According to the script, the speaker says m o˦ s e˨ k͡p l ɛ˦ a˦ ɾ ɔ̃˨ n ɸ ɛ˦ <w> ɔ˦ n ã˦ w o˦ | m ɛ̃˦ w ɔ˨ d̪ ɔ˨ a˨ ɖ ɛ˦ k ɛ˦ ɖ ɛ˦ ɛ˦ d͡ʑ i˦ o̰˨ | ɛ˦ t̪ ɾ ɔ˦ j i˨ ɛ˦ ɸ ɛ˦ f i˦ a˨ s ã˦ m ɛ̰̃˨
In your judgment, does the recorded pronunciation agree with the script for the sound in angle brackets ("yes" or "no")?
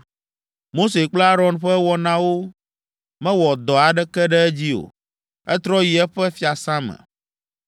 yes